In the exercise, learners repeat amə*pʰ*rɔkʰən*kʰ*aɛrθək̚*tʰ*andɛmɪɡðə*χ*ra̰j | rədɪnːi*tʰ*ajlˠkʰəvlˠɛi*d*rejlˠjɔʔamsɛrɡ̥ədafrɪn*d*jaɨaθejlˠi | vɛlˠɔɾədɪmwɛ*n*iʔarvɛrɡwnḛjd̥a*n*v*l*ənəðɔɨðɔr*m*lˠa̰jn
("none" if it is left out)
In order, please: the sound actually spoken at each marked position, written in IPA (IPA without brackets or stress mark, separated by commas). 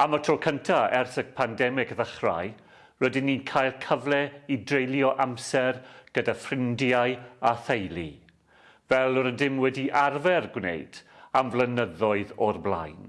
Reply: tʰ, tʰ, pʰ, χ, kʰ, d, d, d, m, l, b